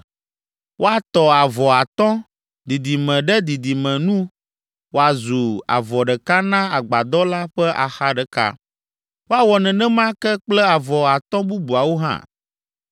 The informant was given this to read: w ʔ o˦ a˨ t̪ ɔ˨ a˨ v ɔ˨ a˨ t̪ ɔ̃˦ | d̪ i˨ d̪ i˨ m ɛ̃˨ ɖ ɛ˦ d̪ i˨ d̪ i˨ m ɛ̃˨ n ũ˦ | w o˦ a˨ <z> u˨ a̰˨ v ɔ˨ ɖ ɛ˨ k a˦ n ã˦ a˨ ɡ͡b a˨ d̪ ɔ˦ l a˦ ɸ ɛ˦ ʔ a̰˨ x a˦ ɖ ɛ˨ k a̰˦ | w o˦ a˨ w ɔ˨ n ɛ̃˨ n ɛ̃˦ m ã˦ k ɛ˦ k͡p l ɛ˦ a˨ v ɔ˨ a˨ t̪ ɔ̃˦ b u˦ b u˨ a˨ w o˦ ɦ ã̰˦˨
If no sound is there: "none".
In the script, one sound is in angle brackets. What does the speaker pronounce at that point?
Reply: z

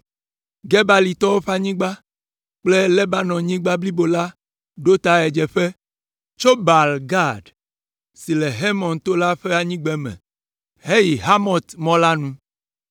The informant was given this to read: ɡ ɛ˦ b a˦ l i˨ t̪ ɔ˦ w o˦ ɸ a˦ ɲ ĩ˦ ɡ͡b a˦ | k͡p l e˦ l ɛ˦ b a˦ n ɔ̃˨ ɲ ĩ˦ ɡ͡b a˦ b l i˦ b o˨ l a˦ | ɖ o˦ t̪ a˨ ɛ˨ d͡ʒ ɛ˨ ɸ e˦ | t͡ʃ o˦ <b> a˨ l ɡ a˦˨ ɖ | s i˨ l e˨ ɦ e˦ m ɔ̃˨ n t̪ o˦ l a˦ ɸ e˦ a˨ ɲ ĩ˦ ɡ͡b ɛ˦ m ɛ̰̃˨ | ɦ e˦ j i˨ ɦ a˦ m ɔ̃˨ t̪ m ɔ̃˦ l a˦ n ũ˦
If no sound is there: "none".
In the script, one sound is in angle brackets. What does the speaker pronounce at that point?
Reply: b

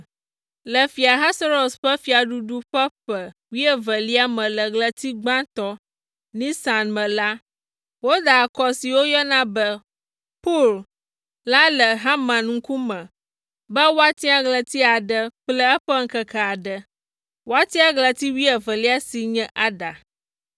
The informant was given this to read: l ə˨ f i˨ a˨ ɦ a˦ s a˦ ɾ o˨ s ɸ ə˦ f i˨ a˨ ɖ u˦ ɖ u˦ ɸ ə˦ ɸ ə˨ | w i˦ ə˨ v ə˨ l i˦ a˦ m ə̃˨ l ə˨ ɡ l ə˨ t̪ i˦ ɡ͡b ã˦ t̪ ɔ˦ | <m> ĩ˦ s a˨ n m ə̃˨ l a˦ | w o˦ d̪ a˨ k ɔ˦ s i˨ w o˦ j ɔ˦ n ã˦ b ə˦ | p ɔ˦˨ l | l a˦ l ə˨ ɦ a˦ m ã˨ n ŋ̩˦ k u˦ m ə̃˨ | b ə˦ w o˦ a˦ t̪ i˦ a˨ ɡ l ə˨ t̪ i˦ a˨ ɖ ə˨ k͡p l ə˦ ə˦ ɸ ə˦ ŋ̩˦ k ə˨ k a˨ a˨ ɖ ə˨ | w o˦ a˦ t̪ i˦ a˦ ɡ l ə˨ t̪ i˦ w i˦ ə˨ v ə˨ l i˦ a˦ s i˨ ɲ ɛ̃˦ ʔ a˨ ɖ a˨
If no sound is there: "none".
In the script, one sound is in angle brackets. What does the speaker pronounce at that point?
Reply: n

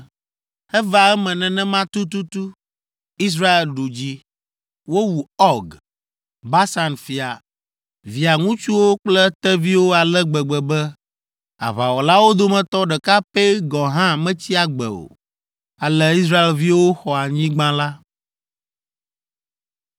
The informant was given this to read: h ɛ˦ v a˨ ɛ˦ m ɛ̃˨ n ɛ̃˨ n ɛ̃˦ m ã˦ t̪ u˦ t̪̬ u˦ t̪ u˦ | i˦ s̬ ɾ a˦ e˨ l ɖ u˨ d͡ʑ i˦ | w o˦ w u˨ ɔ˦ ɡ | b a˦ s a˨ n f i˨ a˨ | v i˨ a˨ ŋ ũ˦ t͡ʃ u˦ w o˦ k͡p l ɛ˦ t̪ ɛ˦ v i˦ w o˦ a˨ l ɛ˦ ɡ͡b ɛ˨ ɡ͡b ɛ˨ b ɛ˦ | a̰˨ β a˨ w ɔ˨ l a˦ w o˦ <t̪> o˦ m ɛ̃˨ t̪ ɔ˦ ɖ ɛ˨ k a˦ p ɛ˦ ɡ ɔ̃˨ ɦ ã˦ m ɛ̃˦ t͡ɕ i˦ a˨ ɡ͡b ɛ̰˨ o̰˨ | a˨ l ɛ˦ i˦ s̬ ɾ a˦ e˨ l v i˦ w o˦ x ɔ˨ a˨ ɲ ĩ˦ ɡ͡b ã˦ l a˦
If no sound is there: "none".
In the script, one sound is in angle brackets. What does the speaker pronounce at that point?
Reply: d̪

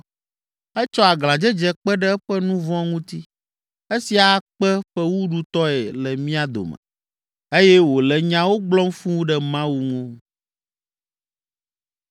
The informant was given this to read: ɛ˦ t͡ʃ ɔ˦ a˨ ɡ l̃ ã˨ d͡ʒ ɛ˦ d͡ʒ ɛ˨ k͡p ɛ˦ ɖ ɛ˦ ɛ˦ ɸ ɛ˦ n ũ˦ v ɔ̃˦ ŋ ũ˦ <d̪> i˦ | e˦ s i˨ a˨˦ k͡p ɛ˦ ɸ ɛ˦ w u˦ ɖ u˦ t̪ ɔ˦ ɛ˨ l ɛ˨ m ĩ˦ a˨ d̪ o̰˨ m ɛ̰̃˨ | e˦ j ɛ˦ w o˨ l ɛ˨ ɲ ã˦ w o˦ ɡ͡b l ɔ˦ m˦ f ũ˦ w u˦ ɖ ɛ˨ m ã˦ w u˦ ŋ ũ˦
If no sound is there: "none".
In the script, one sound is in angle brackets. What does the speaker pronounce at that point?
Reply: t̪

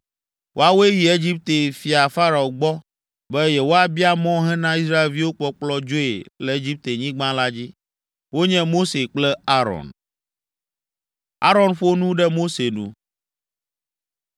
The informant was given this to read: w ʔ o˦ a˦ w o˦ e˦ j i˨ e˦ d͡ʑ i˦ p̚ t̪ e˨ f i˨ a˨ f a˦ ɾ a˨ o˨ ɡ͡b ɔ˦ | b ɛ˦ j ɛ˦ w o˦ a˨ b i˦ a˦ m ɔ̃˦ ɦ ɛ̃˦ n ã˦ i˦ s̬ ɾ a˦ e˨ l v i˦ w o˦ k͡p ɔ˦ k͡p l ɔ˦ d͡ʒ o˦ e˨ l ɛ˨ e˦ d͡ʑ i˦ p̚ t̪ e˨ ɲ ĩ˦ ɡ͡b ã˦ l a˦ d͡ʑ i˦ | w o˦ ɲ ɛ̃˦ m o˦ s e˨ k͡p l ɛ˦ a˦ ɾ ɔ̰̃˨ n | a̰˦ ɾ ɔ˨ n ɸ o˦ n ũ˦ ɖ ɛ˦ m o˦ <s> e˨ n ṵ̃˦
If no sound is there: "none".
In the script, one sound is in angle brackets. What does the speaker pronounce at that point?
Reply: s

